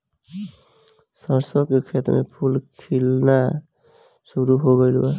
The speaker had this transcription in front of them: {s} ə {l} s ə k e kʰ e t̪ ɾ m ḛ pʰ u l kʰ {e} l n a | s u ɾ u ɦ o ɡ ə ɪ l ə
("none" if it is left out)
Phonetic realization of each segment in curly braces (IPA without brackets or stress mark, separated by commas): s, ɾ, i